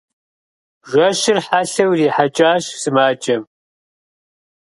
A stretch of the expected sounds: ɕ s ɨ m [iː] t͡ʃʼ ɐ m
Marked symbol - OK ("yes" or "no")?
no